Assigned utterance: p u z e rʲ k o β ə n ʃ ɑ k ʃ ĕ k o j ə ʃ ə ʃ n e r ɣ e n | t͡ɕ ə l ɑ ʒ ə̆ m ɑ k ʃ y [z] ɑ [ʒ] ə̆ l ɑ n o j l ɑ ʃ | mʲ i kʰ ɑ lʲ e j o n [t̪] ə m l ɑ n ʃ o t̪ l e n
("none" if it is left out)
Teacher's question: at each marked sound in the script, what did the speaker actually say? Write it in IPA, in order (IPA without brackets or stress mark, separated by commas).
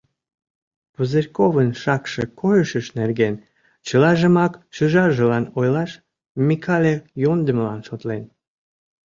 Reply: ʒ, ʒ, d̪